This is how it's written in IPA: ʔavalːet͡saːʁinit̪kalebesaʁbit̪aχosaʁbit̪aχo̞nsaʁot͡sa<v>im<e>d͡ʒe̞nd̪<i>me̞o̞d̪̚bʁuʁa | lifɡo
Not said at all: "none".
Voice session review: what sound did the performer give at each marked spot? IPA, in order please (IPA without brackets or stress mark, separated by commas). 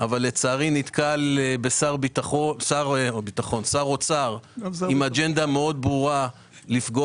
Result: ʁ, a, a